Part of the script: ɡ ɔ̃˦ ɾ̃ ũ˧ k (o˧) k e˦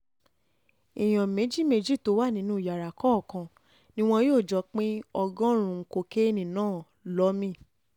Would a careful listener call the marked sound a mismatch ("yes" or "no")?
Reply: no